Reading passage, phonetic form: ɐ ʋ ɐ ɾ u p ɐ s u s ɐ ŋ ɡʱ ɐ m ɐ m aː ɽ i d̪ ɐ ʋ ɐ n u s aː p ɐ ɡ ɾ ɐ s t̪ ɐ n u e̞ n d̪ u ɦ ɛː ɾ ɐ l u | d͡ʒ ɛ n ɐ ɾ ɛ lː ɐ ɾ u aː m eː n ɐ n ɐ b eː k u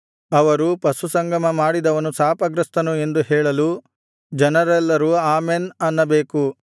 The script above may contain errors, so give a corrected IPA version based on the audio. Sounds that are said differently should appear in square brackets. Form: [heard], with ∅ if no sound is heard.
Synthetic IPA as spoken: ɐ ʋ ɐ ɾ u p ɐ s u s ɐ ŋ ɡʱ ɐ m ɐ m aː ɽ i d̪ ɐ ʋ ɐ n u s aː p ɐ ɡ ɾ ɐ s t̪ ɐ n u e̞ n d̪ u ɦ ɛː [ɭ] ɐ l u | d͡ʒ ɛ n ɐ ɾ ɛ lː ɐ ɾ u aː m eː n ɐ [nː] ɐ b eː k u

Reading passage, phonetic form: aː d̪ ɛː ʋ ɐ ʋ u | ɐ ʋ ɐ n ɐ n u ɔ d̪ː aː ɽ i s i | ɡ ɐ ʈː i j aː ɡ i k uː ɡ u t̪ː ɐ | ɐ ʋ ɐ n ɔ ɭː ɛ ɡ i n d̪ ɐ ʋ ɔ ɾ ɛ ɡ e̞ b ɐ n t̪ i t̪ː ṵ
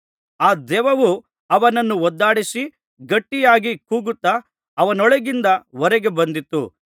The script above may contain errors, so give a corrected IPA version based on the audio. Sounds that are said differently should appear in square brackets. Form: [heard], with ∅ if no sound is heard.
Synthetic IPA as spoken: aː d̪ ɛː ʋ ɐ ʋ u | ɐ ʋ ɐ n ɐ [nː] u ɔ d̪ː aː ɽ i s i | ɡ ɐ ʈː i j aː ɡ i k uː ɡ u t̪ː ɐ | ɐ ʋ ɐ n ɔ [ɭ] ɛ ɡ i n d̪ ɐ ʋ ɔ ɾ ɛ ɡ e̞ b ɐ n [d̪] i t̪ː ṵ

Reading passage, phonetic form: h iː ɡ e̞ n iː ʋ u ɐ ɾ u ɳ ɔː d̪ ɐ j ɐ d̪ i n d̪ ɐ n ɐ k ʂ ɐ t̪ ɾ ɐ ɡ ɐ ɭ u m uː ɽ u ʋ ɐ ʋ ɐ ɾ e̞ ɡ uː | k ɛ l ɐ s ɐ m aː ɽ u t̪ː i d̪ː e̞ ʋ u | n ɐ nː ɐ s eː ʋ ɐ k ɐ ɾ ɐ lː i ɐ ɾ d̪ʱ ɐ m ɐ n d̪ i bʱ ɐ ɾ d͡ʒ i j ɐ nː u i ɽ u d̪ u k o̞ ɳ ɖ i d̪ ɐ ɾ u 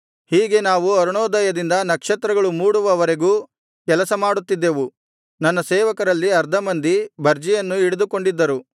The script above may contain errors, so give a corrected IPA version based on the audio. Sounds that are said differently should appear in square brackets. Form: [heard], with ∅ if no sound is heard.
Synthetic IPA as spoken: h iː ɡ e̞ n [aː] ʋ u ɐ ɾ u ɳ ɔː d̪ ɐ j ɐ d̪ i n d̪ ɐ n ɐ k ʂ ɐ t̪ ɾ ɐ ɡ ɐ ɭ u m uː ɽ u ʋ ɐ ʋ ɐ ɾ e̞ ɡ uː | k ɛ l ɐ s ɐ m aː ɽ u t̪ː i d̪ː e̞ ʋ u | n ɐ nː ɐ s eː ʋ ɐ k ɐ ɾ ɐ lː i ɐ ɾ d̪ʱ ɐ m ɐ n d̪ i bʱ ɐ ɾ d͡ʒ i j ɐ nː u i ɽ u d̪ u k o̞ ɳ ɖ i [d̪ː] ɐ ɾ u

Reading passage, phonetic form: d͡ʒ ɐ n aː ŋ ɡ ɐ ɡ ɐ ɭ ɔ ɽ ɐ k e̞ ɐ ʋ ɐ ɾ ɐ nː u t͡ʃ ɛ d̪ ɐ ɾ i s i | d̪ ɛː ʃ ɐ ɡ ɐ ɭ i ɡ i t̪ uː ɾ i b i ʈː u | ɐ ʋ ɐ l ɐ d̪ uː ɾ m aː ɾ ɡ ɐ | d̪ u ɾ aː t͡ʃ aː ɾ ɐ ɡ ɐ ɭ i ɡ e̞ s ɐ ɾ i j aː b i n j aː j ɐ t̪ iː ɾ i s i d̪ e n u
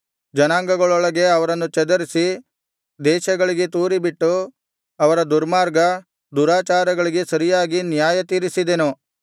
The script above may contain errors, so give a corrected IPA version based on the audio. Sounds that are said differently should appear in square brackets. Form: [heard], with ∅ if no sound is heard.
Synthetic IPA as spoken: d͡ʒ ɐ n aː ŋ ɡ ɐ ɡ ɐ ɭ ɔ [ɭ] ɐ [ɡ] e̞ ɐ ʋ ɐ ɾ ɐ nː u t͡ʃ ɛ d̪ ɐ ɾ i s i | d̪ ɛː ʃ ɐ ɡ ɐ ɭ i ɡ [e] t̪ uː ɾ i b i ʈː u | ɐ ʋ ɐ [ɾ] ɐ d̪ [u] ɾ m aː ɾ ɡ ɐ | d̪ u ɾ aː t͡ʃ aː ɾ ɐ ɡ ɐ ɭ i ɡ e̞ s ɐ ɾ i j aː [ɡ] i n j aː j ɐ t̪ iː ɾ i s i d̪ e n u

